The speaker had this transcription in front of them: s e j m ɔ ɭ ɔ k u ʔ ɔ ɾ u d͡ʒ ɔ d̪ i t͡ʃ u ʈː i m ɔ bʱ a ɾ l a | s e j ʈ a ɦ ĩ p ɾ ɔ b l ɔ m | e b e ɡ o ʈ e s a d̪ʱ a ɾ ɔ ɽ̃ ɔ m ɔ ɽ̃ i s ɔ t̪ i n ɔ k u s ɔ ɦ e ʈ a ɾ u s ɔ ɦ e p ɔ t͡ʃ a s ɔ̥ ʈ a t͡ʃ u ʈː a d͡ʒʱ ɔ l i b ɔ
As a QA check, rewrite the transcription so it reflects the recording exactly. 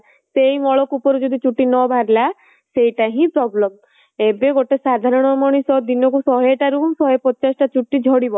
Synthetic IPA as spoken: s e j m ɔ ɭ ɔ k u p ɔ ɾ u d͡ʒ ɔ d̪ i t͡ʃ u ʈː i n ɔ bʱ a ɾ l a | s e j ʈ a ɦ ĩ p ɾ ɔ b l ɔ m | e b e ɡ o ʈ e s a d̪ʱ a ɾ ɔ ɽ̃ ɔ m ɔ ɽ̃ i s ɔ d̪ i n ɔ k u s ɔ ɦ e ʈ a ɾ u s ɔ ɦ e p ɔ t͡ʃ a s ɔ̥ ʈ a t͡ʃ u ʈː i d͡ʒʱ ɔ ɽ i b ɔ